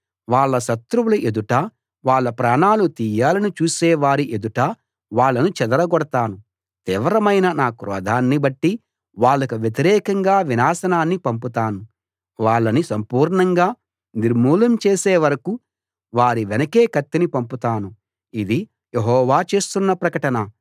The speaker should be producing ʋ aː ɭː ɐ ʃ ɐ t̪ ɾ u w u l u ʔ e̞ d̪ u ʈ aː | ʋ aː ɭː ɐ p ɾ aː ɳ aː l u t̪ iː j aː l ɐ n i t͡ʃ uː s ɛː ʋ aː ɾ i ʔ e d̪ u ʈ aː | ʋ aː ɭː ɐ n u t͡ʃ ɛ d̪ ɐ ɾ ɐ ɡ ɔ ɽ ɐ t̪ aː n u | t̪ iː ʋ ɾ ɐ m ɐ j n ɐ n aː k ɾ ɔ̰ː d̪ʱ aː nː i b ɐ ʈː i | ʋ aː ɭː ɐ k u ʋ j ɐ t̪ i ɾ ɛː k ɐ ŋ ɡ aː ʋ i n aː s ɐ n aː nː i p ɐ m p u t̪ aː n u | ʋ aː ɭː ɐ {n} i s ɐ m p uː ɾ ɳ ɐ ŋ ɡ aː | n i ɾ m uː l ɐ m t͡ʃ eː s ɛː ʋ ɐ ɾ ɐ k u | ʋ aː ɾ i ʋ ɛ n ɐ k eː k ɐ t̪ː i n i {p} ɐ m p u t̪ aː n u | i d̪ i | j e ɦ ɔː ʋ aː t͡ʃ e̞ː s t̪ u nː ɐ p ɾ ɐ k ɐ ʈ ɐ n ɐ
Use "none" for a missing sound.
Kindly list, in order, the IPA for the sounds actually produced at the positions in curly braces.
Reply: n, p

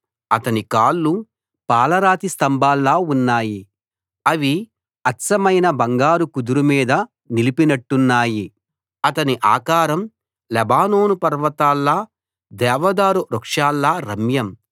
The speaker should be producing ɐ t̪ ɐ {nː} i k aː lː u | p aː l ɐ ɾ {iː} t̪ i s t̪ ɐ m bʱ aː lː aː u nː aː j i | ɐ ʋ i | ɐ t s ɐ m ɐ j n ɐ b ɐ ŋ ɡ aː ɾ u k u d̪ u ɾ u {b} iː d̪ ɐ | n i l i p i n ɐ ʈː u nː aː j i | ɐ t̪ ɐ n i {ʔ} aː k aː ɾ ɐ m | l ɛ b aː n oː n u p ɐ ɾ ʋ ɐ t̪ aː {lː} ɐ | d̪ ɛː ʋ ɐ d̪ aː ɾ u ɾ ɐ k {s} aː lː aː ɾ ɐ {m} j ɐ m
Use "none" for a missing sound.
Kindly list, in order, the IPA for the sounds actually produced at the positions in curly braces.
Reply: n, aː, m, ʔ, lː, ʂ, m

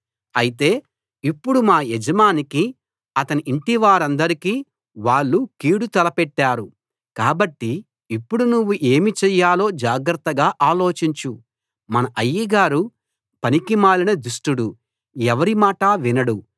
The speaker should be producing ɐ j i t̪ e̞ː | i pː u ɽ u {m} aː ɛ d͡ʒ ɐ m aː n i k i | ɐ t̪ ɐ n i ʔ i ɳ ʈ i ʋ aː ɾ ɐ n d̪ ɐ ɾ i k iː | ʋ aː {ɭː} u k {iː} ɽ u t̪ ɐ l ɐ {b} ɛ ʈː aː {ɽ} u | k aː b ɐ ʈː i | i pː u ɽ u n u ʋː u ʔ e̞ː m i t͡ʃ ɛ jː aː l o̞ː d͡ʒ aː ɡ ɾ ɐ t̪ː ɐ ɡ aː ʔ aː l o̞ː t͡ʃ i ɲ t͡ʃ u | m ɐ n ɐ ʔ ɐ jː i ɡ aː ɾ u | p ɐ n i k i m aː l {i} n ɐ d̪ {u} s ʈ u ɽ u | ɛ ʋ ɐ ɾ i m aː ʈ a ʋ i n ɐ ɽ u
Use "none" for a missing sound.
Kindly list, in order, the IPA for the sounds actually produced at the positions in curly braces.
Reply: m, ɭː, iː, p, ɾ, i, u

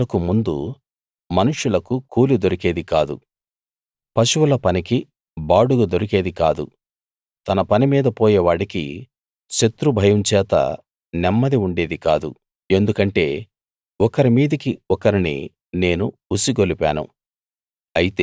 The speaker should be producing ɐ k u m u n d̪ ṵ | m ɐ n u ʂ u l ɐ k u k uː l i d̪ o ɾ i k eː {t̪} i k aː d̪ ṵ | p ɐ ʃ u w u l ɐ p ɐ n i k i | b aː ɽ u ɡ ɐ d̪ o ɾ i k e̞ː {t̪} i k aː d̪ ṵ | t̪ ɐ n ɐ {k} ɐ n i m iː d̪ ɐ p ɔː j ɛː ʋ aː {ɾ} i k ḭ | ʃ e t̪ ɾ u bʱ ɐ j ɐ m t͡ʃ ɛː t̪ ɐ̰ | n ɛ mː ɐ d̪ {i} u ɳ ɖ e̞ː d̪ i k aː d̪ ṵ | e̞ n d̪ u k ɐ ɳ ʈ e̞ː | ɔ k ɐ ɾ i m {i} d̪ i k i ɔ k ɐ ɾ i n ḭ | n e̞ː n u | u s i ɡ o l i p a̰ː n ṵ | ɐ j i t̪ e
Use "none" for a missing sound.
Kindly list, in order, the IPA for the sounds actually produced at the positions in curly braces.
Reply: d̪, d̪, p, ɽ, i, iː

